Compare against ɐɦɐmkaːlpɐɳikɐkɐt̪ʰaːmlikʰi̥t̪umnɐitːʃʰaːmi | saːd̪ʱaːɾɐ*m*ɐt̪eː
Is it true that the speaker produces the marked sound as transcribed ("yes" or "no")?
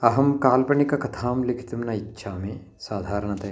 no